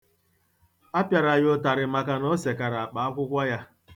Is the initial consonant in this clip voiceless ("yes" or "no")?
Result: yes